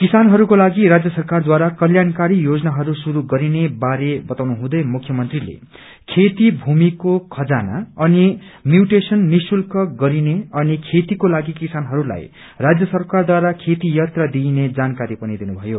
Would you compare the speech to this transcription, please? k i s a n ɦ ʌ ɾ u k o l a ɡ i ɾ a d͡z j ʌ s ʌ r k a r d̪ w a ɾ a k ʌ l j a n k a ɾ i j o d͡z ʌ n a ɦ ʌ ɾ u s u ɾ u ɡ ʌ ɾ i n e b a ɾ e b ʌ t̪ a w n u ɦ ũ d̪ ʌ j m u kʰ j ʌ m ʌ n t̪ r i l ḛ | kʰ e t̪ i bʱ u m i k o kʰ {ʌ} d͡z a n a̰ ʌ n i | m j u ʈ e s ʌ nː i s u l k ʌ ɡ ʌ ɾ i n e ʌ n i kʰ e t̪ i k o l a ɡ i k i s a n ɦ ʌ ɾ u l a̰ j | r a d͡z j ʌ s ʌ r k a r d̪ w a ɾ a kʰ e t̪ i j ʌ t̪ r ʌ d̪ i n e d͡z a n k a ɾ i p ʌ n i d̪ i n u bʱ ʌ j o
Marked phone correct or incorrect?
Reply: correct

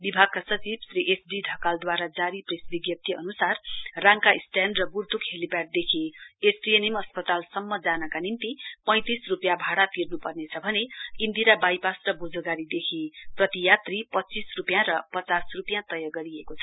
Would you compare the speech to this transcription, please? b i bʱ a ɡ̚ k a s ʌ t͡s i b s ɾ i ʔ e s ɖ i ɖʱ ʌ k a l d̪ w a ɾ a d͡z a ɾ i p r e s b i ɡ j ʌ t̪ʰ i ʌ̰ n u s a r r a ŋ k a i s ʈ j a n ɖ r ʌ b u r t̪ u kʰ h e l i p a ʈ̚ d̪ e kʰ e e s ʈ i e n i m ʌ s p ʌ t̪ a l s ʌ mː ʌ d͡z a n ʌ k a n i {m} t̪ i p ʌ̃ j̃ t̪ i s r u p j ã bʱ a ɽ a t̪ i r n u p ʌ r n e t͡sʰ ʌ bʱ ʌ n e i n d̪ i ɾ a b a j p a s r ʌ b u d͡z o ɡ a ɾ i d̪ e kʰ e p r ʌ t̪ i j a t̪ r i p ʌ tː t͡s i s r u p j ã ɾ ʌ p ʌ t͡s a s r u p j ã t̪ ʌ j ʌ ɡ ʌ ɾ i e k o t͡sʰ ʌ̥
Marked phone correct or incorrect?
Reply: incorrect: n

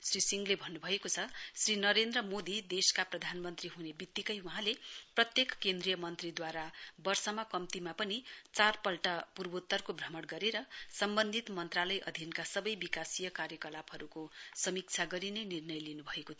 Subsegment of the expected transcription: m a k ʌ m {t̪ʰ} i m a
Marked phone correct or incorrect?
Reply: incorrect: t̪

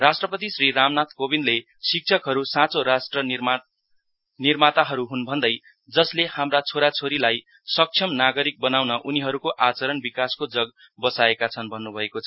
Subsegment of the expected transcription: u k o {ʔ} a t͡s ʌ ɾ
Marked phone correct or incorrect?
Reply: correct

